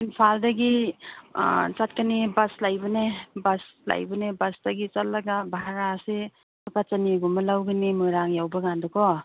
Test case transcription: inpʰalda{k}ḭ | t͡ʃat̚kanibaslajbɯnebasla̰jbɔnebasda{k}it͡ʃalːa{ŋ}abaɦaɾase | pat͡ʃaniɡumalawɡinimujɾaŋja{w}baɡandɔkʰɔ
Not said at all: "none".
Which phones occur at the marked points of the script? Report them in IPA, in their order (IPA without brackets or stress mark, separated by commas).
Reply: ɡ, ɡ, ɡ, w